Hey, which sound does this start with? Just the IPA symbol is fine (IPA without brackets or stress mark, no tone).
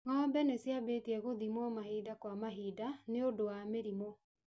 ŋ